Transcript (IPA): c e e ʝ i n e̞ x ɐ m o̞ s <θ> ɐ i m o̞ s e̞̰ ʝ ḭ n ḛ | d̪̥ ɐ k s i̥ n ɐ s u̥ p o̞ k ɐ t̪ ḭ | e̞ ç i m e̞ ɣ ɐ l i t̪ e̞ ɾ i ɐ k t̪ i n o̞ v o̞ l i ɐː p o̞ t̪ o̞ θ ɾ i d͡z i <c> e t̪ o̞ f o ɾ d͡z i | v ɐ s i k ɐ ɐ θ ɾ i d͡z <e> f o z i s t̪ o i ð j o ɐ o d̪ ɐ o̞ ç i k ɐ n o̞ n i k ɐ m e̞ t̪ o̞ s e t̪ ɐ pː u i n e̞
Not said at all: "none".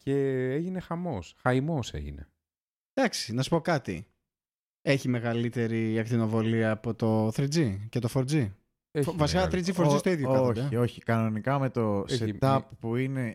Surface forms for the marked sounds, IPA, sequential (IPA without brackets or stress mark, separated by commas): x, c, i